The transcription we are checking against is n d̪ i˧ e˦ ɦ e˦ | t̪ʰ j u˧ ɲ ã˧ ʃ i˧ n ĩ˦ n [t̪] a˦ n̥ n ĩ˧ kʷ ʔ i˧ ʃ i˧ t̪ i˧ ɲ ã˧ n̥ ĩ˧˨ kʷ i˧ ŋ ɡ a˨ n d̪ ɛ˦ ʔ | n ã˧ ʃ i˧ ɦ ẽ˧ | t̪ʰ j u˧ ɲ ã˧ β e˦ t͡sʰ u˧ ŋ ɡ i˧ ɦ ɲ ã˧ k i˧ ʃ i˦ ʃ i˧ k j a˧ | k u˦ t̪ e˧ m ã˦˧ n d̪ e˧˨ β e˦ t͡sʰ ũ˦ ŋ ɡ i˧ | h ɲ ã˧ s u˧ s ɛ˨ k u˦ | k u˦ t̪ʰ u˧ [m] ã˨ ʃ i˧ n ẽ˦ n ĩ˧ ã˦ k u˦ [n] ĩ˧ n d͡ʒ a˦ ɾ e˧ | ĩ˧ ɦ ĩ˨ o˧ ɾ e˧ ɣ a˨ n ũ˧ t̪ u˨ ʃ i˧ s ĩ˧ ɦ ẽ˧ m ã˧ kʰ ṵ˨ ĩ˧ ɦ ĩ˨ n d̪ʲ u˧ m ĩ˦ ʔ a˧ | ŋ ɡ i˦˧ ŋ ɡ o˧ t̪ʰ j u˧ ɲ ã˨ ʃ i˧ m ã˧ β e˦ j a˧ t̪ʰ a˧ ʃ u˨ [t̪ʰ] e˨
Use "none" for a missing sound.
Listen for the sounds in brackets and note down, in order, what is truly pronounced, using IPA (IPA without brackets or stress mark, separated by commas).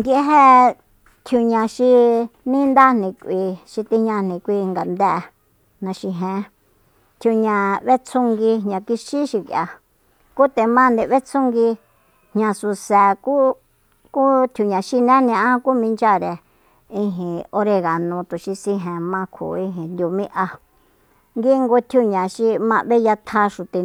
d̪, ɲ, m, t̪